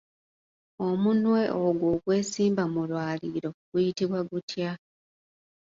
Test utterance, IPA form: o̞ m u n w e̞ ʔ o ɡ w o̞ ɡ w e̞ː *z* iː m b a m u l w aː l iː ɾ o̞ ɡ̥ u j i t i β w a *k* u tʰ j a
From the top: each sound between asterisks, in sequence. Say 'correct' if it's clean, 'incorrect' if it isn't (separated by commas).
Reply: incorrect, incorrect